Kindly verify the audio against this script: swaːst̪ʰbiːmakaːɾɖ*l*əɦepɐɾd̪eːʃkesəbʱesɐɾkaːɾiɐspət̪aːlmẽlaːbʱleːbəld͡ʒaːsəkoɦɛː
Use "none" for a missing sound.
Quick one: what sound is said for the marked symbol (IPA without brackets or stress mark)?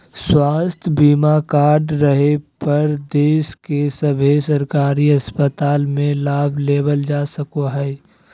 ɾ